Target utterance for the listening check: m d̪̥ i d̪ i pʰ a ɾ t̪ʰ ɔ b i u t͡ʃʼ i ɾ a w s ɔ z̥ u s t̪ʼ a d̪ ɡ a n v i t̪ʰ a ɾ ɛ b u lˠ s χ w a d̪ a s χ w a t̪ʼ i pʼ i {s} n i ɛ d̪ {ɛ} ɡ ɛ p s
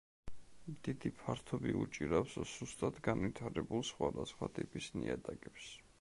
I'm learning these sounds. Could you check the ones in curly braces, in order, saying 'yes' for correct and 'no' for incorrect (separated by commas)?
yes, no